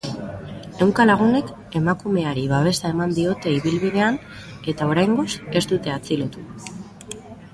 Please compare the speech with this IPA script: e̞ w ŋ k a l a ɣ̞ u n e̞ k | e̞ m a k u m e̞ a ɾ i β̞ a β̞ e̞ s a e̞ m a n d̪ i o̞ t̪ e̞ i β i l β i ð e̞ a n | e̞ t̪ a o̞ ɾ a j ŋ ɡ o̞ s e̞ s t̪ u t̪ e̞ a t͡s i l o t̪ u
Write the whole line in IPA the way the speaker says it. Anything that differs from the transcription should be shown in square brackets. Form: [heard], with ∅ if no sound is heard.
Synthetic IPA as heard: e̞ w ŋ k a l a ɣ̞ u n e̞ k | e̞ m a k u m e̞ a ɾ i β̞ a β̞ e̞ s a e̞ m a n d̪ i o̞ t̪ e̞ i β i l β i ð e̞ a n | e̞ t̪ a o̞ ɾ a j ŋ ɡ o̞ s e̞ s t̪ u t̪ e̞ a t͡s i l o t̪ u